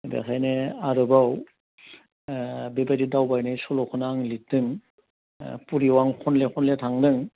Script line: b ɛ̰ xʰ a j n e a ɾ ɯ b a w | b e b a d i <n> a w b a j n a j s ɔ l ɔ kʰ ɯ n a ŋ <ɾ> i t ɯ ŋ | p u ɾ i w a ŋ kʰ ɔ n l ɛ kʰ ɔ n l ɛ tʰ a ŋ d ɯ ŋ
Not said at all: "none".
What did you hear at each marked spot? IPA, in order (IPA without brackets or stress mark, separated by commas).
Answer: d, l